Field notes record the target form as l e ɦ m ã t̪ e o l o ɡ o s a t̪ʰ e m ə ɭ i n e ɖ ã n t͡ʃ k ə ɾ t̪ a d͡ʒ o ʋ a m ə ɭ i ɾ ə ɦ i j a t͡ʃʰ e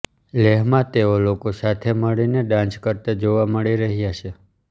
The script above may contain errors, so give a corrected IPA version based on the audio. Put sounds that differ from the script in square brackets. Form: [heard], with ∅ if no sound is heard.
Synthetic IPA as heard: l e ɦ m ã t̪ e o l o [k] o s a t̪ʰ e m ə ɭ i n e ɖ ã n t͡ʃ k ə ɾ t̪ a d͡ʒ o ʋ a m ə ɭ i ɾ ə ɦ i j a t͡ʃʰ e